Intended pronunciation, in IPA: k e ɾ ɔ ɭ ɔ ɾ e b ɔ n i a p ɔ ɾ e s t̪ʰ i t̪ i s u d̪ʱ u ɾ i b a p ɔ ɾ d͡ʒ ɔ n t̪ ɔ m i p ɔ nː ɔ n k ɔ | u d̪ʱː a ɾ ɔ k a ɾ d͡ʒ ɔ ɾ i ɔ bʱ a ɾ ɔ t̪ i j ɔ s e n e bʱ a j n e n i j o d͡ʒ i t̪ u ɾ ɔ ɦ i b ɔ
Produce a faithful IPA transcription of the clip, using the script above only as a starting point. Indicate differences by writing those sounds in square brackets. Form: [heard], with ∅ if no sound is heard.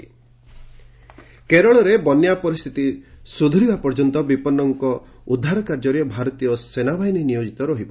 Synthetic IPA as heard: k e ɾ ɔ ɭ ɔ ɾ e b ɔ n [j] a p ɔ ɾ [i] s t̪ʰ i t̪ i s u d̪ʱ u ɾ i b a p ɔ ɾ d͡ʒ ɔ n t̪ ɔ [b] i p ɔ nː ɔ [ŋ] k ɔ | u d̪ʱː a ɾ ɔ k a ɾ d͡ʒ ɔ ɾ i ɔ bʱ a ɾ ɔ t̪ i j ɔ s e n [a] bʱ a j n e n i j o d͡ʒ i t̪ [ɔ] ɾ ɔ ɦ i b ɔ